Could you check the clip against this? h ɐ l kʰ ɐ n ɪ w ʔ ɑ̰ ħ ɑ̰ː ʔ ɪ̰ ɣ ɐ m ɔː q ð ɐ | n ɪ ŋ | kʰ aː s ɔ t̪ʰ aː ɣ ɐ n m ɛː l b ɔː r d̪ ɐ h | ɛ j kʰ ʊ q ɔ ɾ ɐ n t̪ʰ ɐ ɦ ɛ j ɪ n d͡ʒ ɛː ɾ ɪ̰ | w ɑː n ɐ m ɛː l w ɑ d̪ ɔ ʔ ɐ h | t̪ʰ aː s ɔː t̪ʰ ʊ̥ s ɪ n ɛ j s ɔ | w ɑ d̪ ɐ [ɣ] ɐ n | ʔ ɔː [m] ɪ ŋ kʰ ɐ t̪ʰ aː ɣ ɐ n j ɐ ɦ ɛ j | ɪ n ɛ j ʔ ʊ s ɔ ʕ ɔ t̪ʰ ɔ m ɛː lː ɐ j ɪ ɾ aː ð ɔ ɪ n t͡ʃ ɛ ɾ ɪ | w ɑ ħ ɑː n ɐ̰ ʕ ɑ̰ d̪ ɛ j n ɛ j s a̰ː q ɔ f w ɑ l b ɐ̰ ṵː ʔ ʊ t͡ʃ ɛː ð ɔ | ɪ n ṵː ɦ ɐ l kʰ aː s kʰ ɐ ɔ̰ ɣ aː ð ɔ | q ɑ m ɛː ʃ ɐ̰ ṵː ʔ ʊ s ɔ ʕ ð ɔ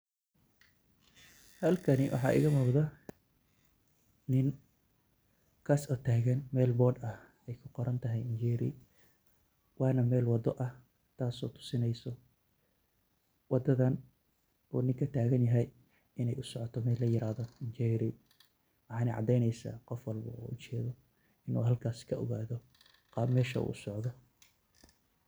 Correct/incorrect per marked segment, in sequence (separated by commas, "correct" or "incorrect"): incorrect, incorrect